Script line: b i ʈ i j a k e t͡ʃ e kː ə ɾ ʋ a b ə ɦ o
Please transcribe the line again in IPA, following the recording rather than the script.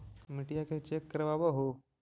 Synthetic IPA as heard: m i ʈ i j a k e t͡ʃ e kː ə ɾ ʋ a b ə ɦ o